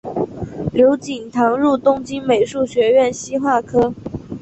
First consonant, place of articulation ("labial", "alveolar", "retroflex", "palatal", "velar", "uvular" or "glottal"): alveolar